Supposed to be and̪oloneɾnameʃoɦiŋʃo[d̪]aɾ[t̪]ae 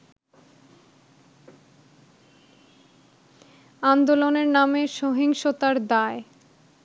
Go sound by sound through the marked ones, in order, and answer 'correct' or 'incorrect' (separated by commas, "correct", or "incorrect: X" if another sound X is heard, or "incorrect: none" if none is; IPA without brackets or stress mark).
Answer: incorrect: t̪, incorrect: d̪